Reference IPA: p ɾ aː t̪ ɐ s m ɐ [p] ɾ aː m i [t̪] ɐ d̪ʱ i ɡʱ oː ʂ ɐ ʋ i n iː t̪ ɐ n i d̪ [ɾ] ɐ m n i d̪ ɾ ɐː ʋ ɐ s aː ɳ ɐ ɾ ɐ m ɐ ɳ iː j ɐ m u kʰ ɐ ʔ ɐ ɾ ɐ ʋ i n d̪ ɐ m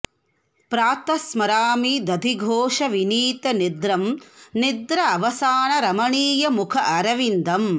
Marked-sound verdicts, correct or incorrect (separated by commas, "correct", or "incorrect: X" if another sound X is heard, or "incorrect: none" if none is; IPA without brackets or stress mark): incorrect: none, incorrect: d̪, correct